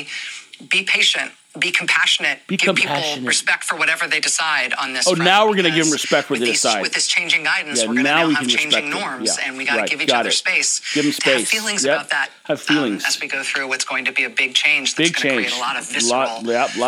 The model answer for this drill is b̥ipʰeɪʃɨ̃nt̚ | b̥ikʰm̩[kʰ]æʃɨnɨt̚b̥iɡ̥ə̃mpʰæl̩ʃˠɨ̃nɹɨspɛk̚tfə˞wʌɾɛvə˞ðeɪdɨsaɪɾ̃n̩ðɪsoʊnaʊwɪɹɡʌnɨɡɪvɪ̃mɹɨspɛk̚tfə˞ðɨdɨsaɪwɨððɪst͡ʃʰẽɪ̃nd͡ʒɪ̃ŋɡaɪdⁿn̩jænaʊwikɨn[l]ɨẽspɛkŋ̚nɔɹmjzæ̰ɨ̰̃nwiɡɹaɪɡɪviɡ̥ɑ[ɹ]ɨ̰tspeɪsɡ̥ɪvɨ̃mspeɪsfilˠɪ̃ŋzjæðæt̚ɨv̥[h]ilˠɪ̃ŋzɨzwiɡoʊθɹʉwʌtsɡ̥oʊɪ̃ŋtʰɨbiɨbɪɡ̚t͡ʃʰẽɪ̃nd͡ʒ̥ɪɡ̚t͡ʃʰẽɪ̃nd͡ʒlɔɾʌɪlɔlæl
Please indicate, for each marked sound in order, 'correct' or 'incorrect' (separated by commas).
incorrect, incorrect, incorrect, incorrect